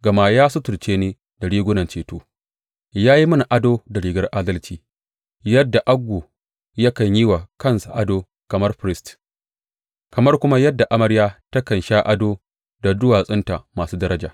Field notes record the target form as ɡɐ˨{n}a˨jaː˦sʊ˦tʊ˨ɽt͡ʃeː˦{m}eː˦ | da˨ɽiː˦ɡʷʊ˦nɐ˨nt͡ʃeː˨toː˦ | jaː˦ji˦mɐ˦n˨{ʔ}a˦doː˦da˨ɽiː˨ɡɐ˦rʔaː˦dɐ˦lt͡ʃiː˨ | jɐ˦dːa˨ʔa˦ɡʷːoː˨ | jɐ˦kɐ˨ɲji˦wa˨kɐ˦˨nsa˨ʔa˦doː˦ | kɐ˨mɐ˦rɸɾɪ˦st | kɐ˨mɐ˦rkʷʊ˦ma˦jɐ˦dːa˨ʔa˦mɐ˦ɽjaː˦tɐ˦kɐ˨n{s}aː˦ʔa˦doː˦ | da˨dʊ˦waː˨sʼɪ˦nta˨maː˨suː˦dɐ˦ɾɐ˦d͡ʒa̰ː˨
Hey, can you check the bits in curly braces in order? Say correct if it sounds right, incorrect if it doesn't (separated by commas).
incorrect, incorrect, correct, incorrect